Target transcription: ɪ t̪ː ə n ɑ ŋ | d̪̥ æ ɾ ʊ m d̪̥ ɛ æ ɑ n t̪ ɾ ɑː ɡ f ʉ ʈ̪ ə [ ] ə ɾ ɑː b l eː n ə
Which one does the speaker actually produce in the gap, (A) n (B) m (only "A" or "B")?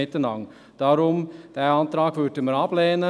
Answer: B